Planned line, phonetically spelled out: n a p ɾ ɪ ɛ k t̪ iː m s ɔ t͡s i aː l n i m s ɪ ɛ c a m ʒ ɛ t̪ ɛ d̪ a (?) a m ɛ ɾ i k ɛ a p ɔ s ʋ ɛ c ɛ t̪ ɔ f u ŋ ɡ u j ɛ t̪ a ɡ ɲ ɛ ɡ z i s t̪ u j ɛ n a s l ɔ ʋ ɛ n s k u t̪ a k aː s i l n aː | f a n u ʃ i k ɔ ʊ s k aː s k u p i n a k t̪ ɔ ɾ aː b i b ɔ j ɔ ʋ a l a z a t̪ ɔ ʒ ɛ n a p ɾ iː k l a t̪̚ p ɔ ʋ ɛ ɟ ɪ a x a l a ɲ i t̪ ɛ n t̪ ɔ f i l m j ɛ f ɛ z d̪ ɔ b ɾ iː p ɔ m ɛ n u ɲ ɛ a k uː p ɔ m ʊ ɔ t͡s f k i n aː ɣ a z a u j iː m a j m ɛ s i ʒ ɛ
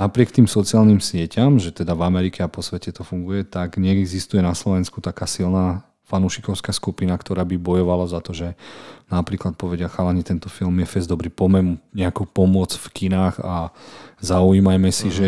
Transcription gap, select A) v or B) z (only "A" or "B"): A